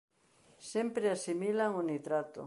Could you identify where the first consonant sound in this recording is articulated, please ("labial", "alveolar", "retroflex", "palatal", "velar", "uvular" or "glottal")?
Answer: alveolar